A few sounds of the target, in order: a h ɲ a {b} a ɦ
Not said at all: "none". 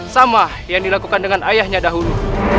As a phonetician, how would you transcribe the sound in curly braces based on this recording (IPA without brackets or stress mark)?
d